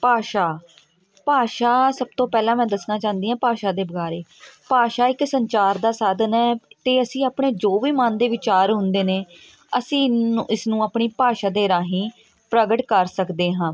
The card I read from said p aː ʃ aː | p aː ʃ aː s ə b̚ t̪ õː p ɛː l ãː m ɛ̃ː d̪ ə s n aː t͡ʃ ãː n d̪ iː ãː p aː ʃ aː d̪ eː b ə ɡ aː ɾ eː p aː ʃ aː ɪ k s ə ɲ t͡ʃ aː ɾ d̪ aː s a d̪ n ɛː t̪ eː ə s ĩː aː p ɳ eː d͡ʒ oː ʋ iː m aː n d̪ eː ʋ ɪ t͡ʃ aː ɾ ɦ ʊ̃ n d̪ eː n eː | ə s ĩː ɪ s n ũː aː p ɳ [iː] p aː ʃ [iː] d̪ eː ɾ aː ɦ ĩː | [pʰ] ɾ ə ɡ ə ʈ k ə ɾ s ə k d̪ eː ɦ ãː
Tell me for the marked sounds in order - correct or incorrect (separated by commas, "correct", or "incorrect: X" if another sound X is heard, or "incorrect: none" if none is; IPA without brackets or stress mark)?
correct, incorrect: aː, incorrect: p